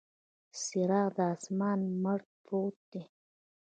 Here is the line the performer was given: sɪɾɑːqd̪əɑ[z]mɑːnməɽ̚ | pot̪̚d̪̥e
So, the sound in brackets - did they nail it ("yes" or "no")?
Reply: no